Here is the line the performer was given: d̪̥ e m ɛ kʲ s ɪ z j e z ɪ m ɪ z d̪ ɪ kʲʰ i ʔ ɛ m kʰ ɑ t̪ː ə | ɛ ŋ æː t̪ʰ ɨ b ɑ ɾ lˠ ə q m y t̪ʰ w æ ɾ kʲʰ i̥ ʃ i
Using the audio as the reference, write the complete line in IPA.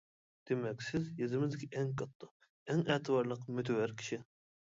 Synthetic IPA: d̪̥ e m ɛ kʲ s ɪ z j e z ɪ m ɪ z d̪ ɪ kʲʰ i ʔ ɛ ŋ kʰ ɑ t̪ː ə | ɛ ŋ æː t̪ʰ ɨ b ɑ ɾ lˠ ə q m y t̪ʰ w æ ɾ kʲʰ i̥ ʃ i